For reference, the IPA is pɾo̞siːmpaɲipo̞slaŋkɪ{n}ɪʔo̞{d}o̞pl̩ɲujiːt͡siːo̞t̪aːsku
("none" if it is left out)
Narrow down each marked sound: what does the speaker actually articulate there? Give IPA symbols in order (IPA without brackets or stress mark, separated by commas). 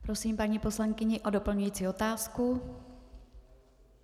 ɲ, d